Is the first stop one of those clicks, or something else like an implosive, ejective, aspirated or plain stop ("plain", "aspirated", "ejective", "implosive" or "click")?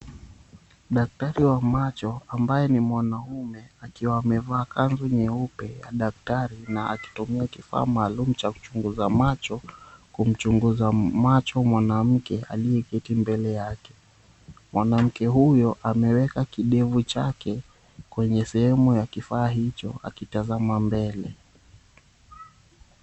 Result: implosive